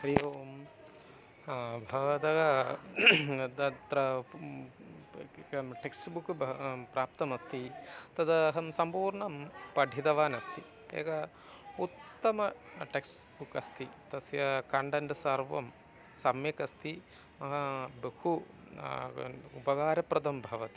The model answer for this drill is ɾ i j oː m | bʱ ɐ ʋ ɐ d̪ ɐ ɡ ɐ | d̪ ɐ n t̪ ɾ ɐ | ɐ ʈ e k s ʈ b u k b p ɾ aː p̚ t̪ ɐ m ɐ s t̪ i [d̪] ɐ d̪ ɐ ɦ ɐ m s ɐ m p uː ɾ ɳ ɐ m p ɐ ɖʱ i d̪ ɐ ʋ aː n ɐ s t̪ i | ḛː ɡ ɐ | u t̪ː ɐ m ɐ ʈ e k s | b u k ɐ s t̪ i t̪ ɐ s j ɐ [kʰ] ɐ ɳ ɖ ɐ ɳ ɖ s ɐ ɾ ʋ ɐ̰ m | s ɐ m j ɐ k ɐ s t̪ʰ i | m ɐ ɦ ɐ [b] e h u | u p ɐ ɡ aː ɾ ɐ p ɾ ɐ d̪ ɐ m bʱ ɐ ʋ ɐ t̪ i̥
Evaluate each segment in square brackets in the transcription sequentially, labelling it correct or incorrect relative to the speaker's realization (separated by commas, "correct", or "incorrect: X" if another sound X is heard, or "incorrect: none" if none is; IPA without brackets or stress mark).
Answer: incorrect: t̪, incorrect: k, correct